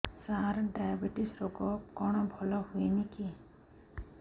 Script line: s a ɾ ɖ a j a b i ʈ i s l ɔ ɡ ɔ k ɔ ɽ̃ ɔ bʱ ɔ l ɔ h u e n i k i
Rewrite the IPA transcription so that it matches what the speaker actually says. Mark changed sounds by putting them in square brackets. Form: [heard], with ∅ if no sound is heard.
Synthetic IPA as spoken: s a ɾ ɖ a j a b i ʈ i s [ɾ] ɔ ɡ ɔ k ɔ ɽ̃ ɔ bʱ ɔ l ɔ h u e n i k i